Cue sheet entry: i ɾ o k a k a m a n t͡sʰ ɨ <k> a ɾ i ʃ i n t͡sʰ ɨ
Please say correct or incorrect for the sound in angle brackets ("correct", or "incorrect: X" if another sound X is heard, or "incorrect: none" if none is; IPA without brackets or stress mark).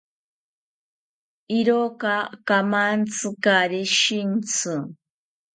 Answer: correct